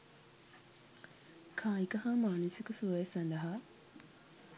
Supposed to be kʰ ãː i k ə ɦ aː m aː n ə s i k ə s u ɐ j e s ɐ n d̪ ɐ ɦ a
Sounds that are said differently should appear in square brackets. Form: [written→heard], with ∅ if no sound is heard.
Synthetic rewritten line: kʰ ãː i k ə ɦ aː m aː n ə s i k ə s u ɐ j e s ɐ n d̪ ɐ ɦ a